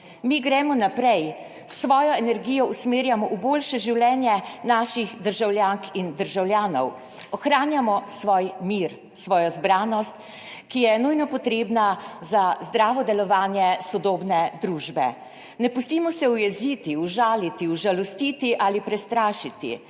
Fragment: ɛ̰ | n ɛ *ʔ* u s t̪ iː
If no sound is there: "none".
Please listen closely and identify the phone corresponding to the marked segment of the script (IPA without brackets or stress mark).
p